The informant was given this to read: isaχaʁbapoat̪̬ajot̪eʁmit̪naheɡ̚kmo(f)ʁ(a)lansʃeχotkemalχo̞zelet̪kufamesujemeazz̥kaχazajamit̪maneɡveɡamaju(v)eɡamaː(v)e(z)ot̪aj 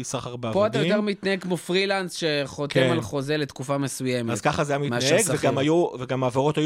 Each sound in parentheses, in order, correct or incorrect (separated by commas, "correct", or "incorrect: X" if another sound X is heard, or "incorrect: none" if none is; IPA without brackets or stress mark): correct, incorrect: i, correct, correct, incorrect: ʁ